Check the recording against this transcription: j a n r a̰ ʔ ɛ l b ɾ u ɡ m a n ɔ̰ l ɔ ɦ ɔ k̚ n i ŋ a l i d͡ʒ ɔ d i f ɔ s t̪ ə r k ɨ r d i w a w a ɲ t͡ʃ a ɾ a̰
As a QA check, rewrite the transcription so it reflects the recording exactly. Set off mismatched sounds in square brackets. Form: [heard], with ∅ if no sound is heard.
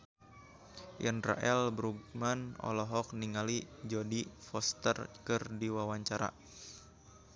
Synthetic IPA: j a n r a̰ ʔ ɛ l b ɾ u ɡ m a n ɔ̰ l ɔ ɦ ɔ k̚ n i ŋ a l i d͡ʒ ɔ d i f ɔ s t̪ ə r k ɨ r d i w a w a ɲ t͡ʃ a ɾ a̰